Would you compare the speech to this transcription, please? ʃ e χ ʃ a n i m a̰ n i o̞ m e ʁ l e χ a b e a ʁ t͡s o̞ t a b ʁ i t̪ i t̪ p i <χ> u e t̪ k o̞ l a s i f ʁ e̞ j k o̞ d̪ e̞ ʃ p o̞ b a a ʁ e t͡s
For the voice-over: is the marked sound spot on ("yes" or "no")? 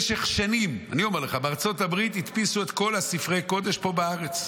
no